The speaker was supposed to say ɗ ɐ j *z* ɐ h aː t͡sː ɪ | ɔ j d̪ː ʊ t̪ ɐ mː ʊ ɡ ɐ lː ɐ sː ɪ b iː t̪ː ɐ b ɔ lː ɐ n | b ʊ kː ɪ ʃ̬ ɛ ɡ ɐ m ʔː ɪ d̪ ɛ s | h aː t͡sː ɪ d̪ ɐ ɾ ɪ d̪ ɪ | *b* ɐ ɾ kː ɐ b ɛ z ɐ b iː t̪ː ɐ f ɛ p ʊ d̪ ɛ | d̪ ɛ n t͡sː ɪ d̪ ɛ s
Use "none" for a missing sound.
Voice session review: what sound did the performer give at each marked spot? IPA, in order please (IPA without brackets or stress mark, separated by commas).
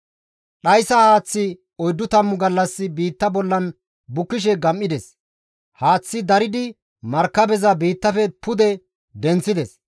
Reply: s, m